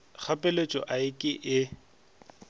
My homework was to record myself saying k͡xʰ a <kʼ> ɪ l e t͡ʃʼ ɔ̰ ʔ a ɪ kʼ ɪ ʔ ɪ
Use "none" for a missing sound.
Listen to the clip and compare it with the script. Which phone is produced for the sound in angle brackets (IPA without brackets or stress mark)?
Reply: pʼ